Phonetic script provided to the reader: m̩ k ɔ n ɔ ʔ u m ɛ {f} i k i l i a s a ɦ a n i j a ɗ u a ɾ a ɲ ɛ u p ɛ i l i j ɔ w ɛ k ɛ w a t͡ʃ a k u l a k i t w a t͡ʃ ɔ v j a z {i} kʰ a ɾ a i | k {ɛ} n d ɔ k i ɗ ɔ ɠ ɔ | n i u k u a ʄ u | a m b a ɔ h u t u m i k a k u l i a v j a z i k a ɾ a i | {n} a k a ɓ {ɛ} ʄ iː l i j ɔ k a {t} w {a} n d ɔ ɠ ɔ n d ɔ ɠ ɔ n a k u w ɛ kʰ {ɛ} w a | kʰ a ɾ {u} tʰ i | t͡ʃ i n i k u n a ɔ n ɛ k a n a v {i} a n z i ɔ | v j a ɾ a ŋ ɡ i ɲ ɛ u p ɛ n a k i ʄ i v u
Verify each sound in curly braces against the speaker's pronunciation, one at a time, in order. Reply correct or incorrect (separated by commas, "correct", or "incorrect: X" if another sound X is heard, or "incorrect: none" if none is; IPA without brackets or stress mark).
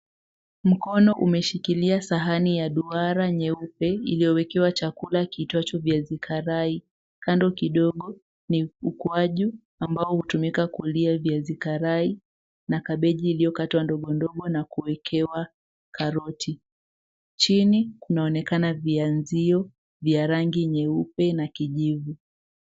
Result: incorrect: ʃ, correct, incorrect: a, correct, correct, correct, correct, correct, incorrect: ɔ, correct